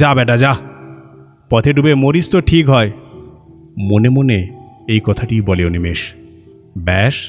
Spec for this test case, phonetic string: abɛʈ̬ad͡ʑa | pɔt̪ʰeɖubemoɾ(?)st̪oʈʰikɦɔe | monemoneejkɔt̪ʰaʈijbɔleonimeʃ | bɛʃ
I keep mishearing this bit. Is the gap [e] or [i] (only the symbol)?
i